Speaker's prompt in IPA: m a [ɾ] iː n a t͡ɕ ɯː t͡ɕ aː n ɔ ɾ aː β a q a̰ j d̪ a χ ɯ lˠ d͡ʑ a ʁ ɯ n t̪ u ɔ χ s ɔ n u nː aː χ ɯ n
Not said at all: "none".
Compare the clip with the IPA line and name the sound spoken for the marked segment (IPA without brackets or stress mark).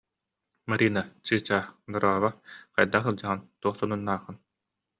ɾ